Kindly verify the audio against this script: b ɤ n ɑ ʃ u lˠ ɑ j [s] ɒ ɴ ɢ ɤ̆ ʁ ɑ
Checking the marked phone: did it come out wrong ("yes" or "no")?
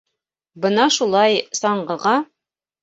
no